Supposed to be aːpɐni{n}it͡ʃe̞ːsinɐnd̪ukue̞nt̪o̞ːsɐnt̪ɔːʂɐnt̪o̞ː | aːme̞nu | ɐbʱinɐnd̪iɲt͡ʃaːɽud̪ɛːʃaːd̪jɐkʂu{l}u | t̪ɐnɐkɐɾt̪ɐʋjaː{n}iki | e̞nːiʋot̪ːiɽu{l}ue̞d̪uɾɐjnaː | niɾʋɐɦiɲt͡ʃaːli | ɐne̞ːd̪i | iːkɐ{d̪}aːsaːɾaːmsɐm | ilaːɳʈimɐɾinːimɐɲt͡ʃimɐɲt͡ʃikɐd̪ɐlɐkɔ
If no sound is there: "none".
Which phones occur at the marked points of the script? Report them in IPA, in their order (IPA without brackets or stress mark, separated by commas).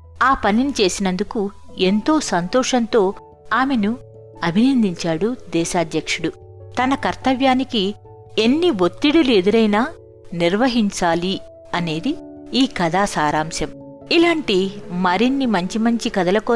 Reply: n, ɽ, n, l, d̪